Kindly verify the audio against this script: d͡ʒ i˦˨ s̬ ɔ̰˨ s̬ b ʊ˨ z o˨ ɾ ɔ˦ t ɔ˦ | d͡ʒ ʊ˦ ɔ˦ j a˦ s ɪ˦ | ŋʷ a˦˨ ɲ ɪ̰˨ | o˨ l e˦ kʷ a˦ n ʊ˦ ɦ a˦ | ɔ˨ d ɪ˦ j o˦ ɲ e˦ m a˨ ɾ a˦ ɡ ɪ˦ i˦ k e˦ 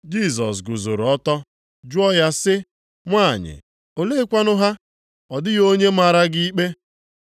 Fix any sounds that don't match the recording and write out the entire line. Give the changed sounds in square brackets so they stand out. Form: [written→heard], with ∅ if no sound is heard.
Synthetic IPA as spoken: d͡ʒ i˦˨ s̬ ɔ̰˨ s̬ [b→ɡ] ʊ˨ z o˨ ɾ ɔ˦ t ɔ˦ | d͡ʒ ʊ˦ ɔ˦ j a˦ s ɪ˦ | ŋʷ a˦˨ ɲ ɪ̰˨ | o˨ l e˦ kʷ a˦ n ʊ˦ ɦ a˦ | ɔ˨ d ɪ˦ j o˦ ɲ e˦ m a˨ ɾ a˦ ɡ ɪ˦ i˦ [k→k͡p] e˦